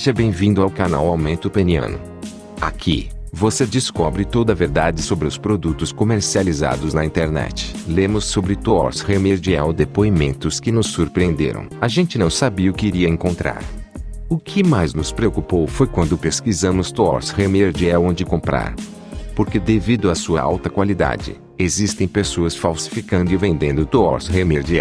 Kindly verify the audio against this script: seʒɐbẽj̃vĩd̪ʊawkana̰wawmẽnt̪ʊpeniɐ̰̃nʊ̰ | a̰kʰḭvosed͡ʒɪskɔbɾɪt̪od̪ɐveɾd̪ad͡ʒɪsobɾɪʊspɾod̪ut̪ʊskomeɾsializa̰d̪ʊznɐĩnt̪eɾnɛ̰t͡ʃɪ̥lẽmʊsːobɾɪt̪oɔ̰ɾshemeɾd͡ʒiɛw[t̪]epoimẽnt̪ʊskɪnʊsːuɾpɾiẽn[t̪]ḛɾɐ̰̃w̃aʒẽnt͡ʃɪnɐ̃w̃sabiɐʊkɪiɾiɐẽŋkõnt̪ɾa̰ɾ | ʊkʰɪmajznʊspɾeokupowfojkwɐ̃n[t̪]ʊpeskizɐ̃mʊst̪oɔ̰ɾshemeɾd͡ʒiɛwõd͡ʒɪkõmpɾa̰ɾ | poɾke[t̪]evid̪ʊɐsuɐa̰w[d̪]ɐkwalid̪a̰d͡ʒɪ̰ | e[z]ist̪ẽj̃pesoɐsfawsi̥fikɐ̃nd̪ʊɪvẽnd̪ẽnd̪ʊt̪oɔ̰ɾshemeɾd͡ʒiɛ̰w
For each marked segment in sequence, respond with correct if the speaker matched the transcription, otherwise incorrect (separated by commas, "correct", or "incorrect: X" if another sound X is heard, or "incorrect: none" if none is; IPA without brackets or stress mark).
incorrect: d̪, incorrect: d̪, incorrect: d̪, incorrect: d̪, incorrect: t̪, correct